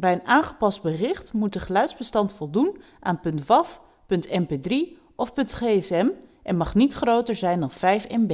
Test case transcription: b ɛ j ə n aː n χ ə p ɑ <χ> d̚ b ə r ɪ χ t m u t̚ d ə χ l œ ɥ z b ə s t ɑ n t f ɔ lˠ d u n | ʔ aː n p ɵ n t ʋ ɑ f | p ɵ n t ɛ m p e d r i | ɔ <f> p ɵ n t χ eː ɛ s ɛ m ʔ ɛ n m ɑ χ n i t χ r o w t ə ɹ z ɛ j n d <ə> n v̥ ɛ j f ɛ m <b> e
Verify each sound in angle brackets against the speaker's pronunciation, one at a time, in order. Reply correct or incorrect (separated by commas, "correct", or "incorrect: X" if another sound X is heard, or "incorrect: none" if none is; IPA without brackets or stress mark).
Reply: incorrect: s, correct, incorrect: ɑ, correct